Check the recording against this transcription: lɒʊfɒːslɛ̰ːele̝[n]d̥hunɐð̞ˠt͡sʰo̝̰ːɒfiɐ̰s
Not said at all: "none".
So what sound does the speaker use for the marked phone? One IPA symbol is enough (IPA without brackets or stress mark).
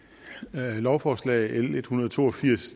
none